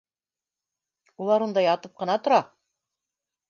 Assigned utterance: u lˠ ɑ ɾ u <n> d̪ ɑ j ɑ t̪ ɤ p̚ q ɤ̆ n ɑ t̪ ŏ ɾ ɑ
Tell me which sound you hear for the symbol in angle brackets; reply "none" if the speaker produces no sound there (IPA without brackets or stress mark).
n